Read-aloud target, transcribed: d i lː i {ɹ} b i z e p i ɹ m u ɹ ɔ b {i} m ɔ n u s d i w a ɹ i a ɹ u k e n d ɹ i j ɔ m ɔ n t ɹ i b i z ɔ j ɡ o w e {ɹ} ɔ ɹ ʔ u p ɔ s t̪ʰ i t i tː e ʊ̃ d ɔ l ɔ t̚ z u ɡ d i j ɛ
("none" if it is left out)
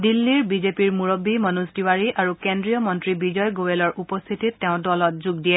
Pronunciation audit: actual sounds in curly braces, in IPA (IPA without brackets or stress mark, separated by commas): ɹ, i, l